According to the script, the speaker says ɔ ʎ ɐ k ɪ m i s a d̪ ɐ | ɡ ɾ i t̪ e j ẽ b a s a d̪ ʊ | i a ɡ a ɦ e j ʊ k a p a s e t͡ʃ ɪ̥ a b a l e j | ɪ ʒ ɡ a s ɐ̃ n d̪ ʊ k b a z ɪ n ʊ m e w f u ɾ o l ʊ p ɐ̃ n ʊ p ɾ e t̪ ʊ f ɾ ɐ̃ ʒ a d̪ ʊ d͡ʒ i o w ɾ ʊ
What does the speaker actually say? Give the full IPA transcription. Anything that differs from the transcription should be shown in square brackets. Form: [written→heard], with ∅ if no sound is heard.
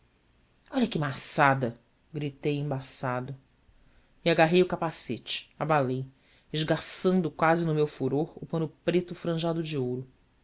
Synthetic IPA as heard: ɔ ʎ ɐ k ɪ m [i→a] s a d̪ ɐ | ɡ ɾ i t̪ e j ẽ b a s a d̪ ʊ | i a ɡ a ɦ e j ʊ k a p a s e t͡ʃ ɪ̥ a b a l e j | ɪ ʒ ɡ a s ɐ̃ n d̪ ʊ k [b→w] a z ɪ n ʊ m e w f u ɾ o [l→ɾ] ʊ p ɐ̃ n ʊ p ɾ e t̪ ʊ f ɾ ɐ̃ ʒ a d̪ ʊ d͡ʒ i o w ɾ ʊ

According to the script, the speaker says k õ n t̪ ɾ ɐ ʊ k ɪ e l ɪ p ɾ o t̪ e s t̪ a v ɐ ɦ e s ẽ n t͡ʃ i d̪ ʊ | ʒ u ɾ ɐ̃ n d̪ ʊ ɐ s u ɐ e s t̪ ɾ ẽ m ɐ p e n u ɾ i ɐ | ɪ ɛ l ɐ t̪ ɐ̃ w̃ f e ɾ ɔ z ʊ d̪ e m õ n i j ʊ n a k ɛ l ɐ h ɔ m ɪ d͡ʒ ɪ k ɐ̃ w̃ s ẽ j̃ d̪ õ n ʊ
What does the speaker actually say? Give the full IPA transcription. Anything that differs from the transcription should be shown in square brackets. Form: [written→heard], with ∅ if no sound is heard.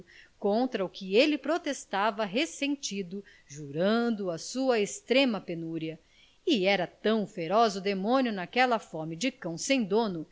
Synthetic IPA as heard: k õ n t̪ ɾ ɐ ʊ k ɪ e l ɪ p ɾ o t̪ e s t̪ a v ɐ ɦ e s ẽ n t͡ʃ i d̪ ʊ | ʒ u ɾ ɐ̃ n d̪ ʊ ɐ s u ɐ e s t̪ ɾ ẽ m ɐ p e n u ɾ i ɐ | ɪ ɛ [l→ɾ] ɐ t̪ ɐ̃ w̃ f e ɾ ɔ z ʊ d̪ e m õ n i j ʊ n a k ɛ l ɐ [h→f] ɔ m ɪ d͡ʒ ɪ k ɐ̃ w̃ s ẽ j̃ d̪ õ n ʊ

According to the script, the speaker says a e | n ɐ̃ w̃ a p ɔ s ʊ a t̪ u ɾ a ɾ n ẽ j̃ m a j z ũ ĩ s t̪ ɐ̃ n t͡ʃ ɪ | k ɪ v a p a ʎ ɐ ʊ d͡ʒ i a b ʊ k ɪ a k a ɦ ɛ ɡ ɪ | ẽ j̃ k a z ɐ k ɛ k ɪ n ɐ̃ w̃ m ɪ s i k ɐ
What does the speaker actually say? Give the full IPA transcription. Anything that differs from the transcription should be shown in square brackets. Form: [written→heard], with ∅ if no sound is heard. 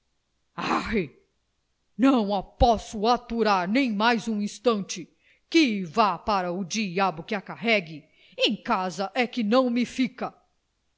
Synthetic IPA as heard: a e | n ɐ̃ w̃ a p ɔ s ʊ a t̪ u ɾ a ɾ n ẽ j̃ m a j z ũ ĩ s t̪ ɐ̃ n t͡ʃ ɪ | k ɪ v a p a [ʎ→ɾ] ɐ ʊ d͡ʒ i a b ʊ k ɪ a k a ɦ ɛ ɡ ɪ | ẽ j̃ k a z ɐ [k→ʔ] ɛ k ɪ n ɐ̃ w̃ m ɪ [s→f] i k ɐ

